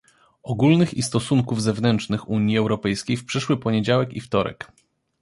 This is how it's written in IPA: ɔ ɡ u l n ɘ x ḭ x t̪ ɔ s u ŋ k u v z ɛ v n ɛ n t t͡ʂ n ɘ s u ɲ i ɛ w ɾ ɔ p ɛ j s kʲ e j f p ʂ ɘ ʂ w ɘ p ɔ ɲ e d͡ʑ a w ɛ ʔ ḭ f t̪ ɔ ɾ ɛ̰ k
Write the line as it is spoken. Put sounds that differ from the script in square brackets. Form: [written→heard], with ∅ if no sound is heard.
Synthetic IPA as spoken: ɔ ɡ u l n ɘ x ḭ [x→s] t̪ ɔ s u ŋ k u v z ɛ v n ɛ n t t͡ʂ n ɘ [s→x] u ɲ i ɛ w ɾ ɔ p ɛ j s kʲ e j f p ʂ ɘ ʂ w ɘ p ɔ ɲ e d͡ʑ a w ɛ [ʔ→k] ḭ f t̪ ɔ ɾ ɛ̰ k